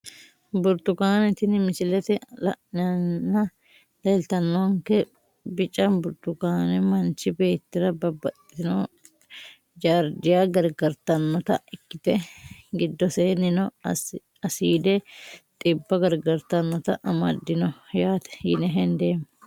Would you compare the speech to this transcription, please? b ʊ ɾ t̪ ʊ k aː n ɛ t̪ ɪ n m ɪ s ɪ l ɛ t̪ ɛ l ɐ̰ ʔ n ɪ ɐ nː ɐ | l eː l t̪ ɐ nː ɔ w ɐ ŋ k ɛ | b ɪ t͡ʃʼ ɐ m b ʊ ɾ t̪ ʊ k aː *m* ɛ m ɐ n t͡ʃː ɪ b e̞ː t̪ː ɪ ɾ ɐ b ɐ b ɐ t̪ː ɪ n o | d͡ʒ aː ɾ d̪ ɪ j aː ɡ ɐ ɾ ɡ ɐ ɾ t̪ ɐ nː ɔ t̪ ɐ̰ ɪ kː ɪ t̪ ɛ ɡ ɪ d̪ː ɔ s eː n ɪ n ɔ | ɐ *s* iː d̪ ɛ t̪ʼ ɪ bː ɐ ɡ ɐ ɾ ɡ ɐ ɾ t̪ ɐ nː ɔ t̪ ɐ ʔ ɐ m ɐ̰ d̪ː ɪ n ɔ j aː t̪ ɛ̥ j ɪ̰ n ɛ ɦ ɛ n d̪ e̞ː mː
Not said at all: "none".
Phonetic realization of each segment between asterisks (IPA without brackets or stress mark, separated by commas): n, s